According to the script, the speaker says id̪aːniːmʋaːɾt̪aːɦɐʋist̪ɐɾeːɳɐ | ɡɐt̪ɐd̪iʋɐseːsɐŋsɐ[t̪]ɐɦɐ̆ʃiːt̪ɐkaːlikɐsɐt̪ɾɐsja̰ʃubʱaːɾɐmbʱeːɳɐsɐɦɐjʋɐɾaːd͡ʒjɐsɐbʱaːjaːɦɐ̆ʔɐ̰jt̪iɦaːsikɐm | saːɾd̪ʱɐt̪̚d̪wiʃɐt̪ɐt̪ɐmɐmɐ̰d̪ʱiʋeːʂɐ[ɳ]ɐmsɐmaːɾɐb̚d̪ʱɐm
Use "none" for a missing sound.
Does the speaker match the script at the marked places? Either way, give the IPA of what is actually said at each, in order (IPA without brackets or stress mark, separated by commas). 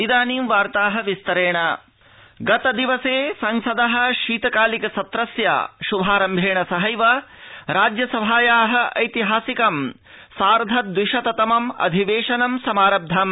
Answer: d̪, n